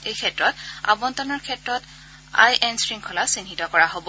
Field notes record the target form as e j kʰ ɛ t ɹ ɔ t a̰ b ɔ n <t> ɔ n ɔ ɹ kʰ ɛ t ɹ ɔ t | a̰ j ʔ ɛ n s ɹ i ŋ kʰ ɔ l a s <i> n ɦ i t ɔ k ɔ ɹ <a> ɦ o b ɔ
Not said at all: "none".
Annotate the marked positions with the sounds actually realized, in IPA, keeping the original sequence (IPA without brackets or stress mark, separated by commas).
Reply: t, i, a